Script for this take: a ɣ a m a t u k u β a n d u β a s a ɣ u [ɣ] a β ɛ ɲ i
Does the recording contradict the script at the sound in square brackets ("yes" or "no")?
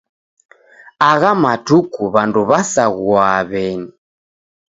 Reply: yes